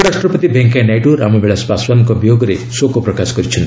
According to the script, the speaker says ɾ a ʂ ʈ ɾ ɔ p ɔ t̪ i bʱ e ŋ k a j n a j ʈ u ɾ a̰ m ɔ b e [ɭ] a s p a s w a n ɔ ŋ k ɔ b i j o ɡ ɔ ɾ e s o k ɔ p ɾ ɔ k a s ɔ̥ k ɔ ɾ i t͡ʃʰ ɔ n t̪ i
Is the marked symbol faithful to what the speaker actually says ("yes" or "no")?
yes